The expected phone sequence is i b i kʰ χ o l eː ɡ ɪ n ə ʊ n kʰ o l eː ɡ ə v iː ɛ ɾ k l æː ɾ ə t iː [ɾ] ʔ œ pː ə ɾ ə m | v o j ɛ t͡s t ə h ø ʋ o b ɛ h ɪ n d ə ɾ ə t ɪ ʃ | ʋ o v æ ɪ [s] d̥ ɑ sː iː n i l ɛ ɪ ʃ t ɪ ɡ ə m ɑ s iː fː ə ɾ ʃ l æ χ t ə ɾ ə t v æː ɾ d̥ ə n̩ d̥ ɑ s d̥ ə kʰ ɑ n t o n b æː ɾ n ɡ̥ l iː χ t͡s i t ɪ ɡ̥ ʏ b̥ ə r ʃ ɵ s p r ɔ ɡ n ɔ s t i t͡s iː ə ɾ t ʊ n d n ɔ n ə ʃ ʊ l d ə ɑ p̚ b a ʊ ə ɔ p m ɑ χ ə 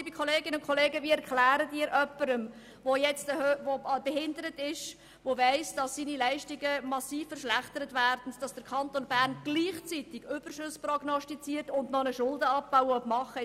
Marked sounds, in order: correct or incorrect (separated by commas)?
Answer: correct, correct